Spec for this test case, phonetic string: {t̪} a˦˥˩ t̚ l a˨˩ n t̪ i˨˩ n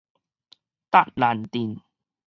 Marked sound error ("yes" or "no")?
no